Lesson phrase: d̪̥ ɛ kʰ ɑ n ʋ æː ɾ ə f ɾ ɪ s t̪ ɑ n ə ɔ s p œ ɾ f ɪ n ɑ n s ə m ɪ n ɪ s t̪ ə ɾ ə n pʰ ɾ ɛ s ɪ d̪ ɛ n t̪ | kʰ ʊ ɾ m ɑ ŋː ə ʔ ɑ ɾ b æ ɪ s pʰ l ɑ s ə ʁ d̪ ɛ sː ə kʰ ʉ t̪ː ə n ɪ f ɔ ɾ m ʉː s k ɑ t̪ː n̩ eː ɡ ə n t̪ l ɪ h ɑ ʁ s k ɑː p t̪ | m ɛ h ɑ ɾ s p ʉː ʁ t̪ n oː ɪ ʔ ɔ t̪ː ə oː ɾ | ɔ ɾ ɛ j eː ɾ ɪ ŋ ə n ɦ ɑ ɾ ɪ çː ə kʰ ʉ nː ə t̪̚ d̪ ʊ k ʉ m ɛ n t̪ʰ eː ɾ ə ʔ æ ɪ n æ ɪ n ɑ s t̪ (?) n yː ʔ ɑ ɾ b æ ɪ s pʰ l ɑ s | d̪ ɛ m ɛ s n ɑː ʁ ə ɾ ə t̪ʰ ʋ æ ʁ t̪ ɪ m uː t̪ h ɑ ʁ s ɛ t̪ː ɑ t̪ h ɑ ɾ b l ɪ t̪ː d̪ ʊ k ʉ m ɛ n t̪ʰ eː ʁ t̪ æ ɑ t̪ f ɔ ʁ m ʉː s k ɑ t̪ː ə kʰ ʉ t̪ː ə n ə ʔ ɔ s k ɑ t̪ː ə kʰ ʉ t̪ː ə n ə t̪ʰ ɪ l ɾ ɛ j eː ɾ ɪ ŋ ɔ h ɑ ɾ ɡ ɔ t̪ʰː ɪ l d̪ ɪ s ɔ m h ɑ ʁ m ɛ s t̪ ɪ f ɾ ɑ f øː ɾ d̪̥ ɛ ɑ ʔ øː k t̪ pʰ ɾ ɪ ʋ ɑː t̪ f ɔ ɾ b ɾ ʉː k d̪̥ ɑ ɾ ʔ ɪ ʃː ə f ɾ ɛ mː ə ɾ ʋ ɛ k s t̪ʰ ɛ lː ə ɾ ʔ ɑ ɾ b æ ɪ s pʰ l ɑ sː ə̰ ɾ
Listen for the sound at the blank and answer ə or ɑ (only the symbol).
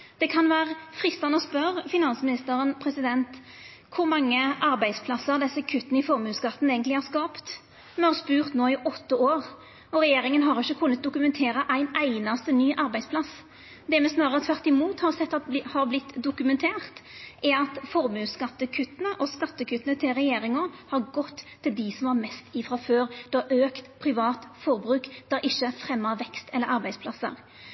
ə